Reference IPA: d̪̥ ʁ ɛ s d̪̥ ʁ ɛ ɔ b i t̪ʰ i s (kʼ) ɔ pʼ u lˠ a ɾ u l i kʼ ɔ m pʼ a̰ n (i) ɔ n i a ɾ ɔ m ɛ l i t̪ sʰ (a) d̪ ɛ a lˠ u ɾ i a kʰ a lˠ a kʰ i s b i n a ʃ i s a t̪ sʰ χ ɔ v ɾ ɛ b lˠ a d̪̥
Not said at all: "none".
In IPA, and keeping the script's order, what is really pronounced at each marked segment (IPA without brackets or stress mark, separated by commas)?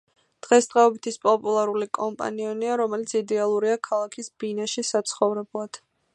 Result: pʼ, i, i